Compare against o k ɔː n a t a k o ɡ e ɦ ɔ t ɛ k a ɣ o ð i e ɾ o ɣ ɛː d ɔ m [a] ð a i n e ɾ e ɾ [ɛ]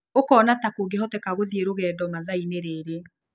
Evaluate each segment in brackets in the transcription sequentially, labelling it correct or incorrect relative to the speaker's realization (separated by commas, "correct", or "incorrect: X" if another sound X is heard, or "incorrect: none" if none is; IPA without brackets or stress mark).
correct, incorrect: e